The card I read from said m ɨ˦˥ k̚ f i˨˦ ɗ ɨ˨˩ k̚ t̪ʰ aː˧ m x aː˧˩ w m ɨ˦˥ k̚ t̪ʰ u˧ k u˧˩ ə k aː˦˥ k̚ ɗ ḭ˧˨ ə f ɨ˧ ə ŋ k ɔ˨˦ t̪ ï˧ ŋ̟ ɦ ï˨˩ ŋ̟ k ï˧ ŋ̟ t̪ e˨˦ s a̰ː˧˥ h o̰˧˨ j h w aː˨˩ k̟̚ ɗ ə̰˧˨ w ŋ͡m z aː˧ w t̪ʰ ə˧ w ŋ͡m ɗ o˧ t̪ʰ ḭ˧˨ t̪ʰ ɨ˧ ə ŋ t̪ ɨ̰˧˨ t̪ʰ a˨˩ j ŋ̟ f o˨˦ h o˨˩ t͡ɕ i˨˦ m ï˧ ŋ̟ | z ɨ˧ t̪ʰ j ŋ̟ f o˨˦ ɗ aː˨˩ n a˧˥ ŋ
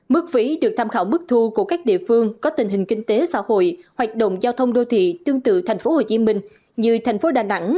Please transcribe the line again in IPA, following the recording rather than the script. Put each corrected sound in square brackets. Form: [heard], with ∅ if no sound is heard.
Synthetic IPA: m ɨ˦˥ k̚ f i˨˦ ɗ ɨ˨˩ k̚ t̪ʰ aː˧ m x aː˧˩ w m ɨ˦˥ k̚ t̪ʰ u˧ k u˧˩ ə k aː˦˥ k̚ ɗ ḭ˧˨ ə f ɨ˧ ə ŋ k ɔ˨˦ t̪ [ï˨˩] ŋ̟ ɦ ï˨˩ ŋ̟ k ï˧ ŋ̟ t̪ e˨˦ s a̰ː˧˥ h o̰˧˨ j h w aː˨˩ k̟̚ ɗ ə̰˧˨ w ŋ͡m z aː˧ w t̪ʰ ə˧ w ŋ͡m ɗ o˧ t̪ʰ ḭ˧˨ [t̪] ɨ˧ ə ŋ t̪ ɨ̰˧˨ t̪ʰ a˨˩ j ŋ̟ f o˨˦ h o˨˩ t͡ɕ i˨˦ m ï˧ ŋ̟ | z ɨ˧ t̪ʰ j ŋ̟ f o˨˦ ɗ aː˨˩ n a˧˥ ŋ